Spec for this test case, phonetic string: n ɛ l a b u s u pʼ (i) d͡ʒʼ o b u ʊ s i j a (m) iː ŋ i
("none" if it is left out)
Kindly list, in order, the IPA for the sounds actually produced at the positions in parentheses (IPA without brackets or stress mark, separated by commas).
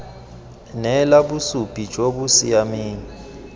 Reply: i, m